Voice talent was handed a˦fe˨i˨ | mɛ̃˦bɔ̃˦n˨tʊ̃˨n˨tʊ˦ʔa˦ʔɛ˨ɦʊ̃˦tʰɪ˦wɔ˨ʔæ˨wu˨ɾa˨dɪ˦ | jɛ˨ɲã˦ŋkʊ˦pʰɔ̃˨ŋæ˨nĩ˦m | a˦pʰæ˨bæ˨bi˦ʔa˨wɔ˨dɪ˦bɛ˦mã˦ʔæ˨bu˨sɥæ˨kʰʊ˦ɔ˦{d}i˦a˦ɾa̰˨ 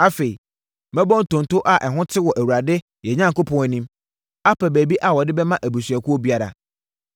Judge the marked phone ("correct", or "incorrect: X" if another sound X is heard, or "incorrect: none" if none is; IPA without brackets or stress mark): incorrect: b